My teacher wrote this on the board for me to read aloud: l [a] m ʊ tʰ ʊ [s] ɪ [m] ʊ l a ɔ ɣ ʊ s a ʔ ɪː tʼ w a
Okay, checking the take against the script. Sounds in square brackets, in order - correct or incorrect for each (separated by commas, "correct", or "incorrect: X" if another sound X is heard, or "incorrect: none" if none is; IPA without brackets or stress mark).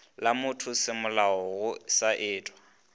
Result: correct, correct, correct